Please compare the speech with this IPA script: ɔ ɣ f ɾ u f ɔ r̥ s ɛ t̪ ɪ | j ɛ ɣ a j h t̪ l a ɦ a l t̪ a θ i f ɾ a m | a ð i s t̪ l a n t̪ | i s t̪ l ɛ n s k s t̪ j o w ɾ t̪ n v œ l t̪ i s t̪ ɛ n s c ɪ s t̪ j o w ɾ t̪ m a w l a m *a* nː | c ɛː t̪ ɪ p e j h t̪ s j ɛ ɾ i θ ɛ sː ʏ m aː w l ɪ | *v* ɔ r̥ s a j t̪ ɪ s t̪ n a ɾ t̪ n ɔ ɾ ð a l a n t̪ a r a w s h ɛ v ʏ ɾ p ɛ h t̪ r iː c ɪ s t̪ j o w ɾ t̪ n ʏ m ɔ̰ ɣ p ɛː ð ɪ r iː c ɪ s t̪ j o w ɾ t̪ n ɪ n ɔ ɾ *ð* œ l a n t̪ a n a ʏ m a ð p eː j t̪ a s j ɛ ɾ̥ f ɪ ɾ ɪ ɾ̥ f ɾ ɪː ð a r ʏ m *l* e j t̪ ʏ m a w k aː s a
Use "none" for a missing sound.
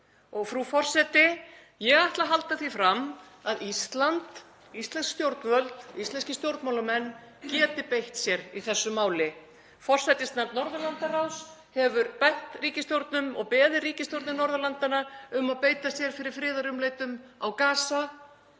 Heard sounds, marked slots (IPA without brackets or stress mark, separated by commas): ɛ, f, ð, l